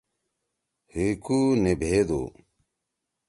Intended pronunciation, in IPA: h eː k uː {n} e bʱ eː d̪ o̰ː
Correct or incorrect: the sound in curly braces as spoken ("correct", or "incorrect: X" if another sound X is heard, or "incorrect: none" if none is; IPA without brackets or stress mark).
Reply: correct